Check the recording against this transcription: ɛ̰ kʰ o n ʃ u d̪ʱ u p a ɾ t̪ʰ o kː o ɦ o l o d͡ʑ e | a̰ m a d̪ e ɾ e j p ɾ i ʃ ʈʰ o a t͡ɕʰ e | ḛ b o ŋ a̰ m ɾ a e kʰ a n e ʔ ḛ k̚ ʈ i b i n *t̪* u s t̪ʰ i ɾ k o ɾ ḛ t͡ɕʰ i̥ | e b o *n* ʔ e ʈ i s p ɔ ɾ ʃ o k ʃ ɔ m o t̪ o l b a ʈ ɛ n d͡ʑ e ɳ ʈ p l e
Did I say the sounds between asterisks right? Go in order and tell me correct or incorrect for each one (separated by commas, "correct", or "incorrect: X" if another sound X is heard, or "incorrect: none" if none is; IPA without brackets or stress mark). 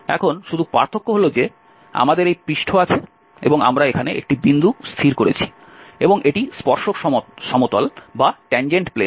incorrect: d̪, incorrect: ŋ